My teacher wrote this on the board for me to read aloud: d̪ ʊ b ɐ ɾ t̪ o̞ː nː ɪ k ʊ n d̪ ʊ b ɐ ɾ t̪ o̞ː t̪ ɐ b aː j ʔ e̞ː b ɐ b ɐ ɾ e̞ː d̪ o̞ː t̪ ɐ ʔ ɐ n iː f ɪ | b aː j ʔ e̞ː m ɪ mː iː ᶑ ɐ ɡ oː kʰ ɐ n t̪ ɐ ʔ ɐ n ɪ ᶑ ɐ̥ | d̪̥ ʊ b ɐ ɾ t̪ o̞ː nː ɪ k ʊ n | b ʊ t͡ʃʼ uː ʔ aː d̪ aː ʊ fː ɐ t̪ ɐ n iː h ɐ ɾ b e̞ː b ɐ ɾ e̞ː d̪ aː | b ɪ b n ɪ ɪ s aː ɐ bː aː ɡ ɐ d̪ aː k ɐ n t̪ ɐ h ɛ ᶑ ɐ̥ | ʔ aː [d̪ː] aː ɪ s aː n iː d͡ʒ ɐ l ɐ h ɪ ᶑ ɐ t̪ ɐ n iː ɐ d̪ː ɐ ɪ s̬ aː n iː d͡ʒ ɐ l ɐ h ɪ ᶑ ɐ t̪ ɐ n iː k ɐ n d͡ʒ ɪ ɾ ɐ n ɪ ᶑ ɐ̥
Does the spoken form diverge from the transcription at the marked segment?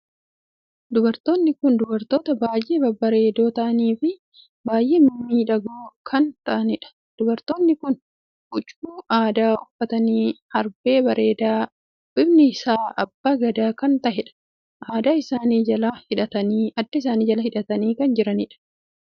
yes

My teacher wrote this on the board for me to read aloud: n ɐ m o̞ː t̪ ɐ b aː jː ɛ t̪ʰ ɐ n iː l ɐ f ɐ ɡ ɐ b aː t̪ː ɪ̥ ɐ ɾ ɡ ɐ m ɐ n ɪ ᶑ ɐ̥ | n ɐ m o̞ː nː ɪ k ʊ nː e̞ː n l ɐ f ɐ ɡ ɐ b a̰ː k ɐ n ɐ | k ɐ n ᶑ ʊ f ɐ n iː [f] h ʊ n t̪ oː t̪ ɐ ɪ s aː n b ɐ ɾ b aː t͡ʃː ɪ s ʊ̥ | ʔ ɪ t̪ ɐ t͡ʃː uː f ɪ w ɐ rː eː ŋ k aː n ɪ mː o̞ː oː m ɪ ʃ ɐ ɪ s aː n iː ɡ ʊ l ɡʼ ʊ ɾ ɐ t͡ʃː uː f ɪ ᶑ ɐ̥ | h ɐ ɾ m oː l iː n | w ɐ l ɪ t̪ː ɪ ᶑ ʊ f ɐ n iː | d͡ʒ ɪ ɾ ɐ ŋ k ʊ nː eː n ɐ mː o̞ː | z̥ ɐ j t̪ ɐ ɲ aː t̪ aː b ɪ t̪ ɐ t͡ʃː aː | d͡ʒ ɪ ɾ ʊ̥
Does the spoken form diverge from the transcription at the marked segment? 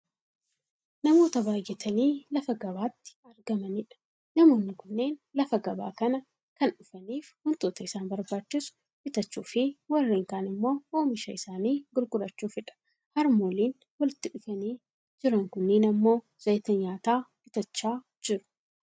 no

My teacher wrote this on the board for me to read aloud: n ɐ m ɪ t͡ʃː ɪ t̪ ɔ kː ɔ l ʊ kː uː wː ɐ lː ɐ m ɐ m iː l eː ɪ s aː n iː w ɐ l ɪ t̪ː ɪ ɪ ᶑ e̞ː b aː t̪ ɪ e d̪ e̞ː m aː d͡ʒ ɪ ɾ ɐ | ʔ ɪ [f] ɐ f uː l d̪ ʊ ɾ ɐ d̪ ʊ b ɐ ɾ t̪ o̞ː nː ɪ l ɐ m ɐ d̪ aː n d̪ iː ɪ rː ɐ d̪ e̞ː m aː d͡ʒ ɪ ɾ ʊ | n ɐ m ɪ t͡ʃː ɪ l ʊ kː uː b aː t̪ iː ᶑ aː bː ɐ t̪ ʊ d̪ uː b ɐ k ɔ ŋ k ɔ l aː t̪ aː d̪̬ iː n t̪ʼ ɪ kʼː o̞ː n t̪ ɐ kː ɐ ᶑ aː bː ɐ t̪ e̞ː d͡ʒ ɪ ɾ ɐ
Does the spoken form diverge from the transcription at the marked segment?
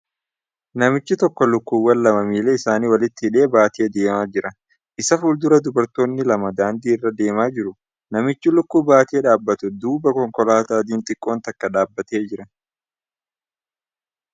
yes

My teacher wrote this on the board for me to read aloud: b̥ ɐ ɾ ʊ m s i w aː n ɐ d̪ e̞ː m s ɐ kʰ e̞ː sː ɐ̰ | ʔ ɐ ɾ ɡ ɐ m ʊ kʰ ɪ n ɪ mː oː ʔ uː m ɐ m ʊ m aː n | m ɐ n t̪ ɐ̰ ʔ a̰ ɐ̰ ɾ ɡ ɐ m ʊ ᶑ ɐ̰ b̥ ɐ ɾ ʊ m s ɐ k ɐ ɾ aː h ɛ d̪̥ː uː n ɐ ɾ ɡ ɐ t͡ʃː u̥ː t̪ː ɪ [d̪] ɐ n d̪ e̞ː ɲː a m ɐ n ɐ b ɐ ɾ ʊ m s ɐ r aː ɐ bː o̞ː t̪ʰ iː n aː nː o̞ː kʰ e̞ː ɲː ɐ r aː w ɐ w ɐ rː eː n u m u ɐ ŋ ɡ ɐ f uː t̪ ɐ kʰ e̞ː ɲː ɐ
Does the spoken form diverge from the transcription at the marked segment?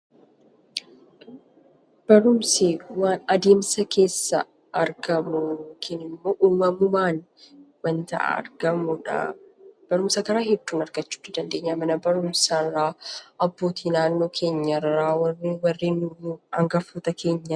no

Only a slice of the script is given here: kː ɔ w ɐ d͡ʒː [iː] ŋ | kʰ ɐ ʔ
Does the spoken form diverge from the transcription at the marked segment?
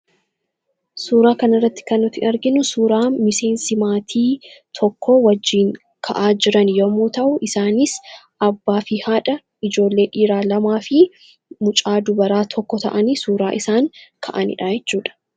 no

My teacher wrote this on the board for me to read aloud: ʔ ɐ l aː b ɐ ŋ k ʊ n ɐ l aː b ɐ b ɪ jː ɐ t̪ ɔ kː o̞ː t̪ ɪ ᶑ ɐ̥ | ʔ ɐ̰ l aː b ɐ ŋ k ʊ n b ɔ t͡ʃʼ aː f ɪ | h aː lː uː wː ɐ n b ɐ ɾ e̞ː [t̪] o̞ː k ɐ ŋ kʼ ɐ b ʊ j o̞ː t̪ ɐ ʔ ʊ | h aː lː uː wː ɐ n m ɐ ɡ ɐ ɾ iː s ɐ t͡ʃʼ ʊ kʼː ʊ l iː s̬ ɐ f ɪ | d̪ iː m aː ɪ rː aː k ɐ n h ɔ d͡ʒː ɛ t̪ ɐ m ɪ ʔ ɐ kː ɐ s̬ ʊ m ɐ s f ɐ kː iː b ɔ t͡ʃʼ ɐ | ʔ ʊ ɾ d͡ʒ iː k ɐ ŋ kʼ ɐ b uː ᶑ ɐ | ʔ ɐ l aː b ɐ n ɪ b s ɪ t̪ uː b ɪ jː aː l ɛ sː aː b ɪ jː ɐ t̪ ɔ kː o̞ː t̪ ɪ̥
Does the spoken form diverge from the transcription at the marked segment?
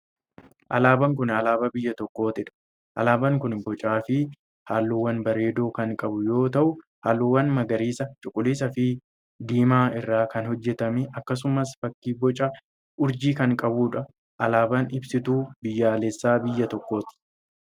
yes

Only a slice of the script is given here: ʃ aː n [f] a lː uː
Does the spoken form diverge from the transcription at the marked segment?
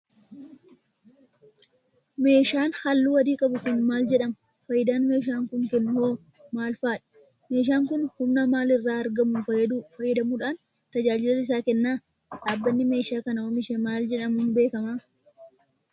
yes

